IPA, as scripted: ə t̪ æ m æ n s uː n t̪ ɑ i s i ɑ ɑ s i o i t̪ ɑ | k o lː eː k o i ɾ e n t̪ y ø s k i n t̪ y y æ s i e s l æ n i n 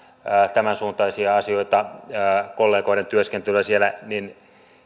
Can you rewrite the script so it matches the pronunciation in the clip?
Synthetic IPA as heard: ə t̪ æ m æ n s uː n t̪ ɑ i s i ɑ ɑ s i o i t̪ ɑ | k o lː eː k o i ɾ e n t̪ y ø s k e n t̪ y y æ s i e l æ n i n